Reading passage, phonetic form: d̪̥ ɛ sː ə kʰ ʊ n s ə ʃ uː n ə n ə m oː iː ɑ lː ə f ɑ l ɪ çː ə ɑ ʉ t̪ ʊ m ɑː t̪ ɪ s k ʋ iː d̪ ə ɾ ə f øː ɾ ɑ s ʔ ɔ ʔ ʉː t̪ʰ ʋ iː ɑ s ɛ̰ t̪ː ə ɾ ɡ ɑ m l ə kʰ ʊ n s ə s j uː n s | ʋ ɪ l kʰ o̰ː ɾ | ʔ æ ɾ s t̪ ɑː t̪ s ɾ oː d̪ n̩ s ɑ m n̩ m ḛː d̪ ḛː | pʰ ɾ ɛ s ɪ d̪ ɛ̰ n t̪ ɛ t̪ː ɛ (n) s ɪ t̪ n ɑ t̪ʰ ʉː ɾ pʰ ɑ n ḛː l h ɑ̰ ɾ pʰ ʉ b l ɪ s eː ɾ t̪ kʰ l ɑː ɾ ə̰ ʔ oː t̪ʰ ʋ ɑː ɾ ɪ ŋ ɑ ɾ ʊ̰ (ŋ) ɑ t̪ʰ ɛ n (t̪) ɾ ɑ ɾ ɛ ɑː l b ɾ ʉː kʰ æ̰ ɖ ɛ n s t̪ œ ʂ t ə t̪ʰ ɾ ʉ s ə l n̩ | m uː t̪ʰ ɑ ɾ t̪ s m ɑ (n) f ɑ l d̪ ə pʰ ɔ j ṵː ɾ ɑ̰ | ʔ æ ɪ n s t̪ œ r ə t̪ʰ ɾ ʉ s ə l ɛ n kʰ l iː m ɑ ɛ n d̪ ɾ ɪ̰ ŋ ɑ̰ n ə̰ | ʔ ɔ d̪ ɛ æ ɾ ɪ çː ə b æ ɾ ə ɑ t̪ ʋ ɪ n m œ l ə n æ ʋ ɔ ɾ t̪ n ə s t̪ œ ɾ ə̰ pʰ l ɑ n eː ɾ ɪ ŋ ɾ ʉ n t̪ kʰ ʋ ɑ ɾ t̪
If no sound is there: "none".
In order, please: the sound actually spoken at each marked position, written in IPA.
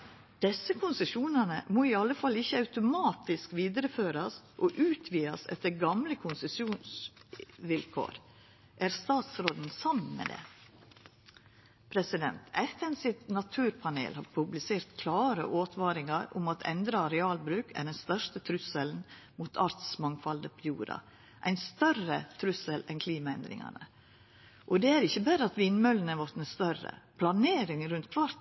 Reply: n, m, d̪, ŋ

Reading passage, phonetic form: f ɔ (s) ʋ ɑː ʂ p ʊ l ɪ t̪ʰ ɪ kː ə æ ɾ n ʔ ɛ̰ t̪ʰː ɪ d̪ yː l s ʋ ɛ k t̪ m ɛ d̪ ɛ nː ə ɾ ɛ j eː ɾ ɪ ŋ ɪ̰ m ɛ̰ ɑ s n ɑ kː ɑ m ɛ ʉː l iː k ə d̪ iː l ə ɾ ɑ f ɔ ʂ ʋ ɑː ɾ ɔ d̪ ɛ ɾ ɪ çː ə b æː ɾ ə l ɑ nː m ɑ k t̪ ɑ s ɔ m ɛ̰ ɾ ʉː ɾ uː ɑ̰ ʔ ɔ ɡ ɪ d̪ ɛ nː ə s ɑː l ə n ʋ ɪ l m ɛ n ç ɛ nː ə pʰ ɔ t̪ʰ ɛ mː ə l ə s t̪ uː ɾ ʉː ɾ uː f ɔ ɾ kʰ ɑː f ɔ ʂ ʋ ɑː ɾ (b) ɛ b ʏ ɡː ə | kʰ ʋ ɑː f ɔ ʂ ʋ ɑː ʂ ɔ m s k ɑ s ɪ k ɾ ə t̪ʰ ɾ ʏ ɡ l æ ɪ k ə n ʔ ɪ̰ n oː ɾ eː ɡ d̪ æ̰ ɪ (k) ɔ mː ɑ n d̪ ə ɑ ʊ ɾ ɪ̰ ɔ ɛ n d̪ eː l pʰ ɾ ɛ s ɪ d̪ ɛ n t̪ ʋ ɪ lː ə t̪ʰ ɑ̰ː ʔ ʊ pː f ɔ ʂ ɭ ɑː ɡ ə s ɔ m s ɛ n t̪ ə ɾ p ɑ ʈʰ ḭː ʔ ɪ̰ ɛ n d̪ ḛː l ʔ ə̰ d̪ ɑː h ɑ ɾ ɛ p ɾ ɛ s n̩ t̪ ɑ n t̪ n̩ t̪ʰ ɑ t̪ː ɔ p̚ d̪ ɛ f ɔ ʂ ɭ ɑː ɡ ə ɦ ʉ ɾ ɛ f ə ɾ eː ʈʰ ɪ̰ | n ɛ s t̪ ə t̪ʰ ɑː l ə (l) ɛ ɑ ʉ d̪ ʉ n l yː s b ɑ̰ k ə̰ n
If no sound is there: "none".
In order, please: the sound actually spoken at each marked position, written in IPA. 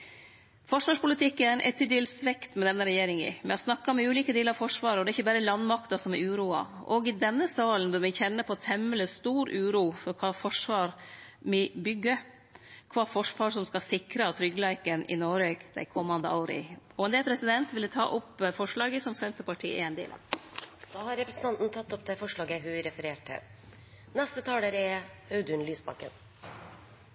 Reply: ʂ, m, kʰ, ɾ

